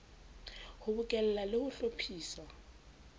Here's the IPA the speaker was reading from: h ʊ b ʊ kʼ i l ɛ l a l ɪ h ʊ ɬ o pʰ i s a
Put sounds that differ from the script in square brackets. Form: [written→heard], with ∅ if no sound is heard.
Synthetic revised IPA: h ʊ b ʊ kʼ [i→ɛ] l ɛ l a l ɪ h ʊ ɬ o pʰ [i→iː] s a